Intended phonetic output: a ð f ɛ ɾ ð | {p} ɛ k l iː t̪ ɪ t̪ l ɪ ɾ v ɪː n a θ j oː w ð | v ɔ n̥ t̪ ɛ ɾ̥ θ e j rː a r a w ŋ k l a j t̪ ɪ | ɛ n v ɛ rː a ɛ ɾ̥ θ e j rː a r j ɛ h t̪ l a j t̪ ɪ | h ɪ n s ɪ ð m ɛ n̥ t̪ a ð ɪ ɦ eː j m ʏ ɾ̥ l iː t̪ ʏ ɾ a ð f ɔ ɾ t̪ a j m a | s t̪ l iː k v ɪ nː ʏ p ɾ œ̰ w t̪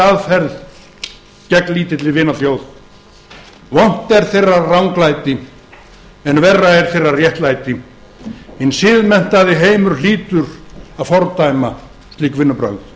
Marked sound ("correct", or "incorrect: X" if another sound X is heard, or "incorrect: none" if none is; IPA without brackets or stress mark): incorrect: c